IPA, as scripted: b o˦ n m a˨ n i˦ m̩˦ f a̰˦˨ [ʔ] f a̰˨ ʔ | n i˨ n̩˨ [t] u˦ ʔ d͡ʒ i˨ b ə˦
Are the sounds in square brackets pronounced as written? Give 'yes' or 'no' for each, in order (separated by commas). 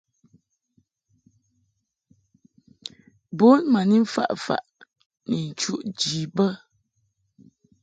yes, no